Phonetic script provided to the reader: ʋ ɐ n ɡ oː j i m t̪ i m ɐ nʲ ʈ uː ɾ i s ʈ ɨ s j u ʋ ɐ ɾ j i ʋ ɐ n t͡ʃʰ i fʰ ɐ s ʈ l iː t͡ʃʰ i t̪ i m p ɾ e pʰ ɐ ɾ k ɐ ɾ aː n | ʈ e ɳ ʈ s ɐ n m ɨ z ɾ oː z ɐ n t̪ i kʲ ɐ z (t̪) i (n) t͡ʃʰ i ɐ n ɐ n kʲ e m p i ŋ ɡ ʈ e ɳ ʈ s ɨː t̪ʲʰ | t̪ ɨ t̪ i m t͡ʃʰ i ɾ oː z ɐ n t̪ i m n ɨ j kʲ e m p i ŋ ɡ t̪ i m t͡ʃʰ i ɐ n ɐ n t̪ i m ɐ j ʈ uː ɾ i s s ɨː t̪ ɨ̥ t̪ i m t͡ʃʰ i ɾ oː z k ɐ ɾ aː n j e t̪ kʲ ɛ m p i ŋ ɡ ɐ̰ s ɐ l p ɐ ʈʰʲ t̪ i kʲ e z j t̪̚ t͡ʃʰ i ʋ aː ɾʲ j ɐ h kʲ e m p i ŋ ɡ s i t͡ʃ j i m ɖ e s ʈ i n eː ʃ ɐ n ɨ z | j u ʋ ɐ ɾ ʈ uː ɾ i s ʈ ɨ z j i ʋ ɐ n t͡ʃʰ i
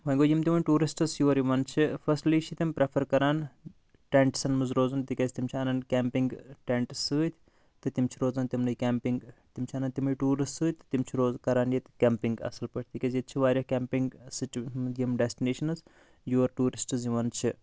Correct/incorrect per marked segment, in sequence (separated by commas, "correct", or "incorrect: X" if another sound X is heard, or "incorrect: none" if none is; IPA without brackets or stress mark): correct, incorrect: m